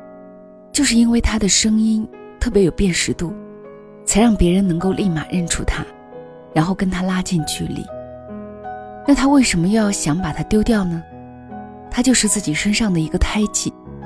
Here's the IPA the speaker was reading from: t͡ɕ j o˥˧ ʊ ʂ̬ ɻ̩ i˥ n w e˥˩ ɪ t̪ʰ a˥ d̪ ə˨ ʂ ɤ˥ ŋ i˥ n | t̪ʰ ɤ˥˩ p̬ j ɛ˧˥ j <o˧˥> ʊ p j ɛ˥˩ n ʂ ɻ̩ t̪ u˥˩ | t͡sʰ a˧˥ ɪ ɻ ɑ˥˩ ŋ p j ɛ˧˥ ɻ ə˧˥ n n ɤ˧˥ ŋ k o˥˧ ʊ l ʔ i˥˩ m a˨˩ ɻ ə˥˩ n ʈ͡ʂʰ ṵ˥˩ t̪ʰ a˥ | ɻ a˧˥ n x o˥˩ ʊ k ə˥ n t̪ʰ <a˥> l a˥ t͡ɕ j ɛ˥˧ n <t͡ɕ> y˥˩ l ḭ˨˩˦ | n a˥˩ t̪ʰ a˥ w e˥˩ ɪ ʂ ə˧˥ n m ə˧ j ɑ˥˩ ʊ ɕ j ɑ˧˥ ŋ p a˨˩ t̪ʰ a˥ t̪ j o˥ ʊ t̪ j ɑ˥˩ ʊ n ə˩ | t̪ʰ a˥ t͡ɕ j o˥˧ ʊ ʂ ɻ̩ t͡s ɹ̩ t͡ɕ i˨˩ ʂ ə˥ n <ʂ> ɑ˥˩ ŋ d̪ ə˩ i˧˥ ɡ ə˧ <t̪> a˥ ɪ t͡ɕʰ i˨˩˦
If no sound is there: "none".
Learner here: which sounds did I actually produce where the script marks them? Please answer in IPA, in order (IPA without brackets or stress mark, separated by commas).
o˨˩, a˥, t͡ɕʰ, ʂ, t̪ʰ